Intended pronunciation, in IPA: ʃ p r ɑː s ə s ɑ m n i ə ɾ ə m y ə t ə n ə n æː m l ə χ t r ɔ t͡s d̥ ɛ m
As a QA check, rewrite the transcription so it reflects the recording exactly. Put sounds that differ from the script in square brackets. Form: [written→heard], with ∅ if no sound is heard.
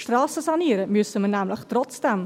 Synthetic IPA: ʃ [p→t] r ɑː s ə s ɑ [m→∅] n i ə ɾ ə m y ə [t→s] ə [n→m] ə n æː m l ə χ t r ɔ t͡s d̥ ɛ m